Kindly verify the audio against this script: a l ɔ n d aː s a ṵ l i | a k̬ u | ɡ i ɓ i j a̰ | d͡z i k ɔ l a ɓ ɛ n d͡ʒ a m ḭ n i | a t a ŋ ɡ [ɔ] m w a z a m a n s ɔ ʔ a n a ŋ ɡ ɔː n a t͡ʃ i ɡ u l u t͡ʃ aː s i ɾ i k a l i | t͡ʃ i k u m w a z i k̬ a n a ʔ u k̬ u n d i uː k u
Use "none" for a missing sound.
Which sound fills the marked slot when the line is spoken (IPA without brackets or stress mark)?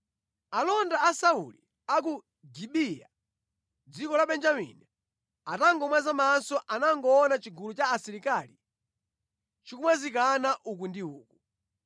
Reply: ɔ